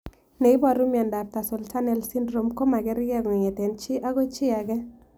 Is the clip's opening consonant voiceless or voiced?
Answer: voiced